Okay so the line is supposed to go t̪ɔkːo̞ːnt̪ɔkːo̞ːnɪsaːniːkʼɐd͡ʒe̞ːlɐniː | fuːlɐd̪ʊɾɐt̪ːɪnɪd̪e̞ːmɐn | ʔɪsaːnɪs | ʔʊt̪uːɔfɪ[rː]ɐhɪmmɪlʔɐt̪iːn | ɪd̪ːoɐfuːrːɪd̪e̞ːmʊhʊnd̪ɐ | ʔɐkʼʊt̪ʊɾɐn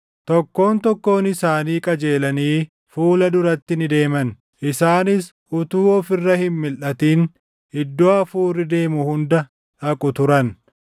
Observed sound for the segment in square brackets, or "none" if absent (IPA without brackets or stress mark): rː